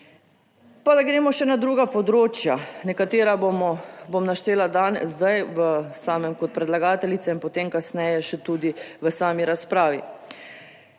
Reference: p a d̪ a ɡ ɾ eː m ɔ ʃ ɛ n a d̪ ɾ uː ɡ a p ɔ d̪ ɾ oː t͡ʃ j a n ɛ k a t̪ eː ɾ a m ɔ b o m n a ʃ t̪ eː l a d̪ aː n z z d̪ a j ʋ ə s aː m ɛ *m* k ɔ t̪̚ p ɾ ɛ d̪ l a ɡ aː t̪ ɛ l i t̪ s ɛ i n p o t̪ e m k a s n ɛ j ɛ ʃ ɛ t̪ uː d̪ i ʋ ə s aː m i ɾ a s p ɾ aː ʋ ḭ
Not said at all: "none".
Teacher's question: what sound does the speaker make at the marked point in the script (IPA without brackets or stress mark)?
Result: m